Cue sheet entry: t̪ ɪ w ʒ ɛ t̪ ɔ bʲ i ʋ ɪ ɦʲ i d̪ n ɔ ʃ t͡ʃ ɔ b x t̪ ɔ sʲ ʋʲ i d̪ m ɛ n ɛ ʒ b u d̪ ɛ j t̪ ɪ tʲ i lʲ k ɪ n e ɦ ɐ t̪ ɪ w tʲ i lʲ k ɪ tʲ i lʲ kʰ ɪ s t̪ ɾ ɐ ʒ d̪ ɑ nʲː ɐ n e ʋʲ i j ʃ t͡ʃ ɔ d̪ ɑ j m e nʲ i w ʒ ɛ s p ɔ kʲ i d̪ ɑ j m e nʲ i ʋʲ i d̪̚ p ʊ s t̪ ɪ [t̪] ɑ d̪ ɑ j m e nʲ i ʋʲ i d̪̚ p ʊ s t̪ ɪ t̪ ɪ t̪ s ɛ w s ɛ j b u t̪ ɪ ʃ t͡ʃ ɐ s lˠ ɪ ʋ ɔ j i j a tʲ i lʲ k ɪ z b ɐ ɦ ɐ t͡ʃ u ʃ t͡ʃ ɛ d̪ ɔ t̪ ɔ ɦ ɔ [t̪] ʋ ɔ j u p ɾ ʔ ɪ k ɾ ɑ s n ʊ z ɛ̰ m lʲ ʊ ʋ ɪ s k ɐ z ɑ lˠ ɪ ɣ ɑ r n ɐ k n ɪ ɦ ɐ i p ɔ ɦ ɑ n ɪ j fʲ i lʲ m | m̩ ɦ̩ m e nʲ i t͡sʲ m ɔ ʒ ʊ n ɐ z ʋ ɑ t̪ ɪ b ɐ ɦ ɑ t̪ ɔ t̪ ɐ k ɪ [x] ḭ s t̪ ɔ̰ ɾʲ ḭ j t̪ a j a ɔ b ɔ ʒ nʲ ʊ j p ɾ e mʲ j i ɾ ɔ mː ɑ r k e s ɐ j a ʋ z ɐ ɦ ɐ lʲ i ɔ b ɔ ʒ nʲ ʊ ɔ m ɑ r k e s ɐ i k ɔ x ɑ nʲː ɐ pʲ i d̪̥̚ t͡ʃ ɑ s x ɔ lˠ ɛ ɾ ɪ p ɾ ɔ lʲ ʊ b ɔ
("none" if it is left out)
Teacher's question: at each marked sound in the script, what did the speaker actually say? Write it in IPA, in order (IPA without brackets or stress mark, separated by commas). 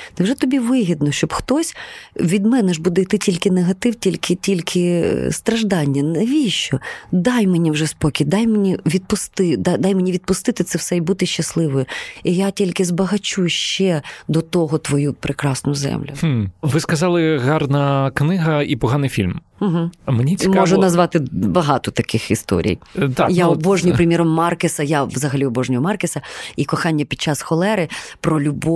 d̪, t̪, x